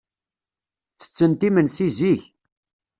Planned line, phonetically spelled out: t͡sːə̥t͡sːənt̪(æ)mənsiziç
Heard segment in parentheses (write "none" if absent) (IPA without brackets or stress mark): i